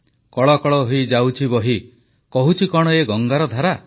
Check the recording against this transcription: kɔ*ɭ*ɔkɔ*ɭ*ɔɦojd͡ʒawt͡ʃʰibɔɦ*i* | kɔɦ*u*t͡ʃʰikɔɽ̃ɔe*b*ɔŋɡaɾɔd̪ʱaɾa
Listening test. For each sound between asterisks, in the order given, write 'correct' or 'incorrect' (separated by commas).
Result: correct, correct, correct, correct, incorrect